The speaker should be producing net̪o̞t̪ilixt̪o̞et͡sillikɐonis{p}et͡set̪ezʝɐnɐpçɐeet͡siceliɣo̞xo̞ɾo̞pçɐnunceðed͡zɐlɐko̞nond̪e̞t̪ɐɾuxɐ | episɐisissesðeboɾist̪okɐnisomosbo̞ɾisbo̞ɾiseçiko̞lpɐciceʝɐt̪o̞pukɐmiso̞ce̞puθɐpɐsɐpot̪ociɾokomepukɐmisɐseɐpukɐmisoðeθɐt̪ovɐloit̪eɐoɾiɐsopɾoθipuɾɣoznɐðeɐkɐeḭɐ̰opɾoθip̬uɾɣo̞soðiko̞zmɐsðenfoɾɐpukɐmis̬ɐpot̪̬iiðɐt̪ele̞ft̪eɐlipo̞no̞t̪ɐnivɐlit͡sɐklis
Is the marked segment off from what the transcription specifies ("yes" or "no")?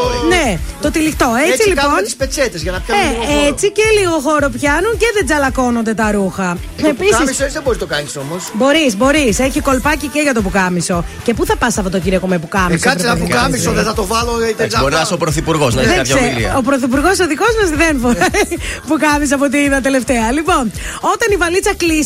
no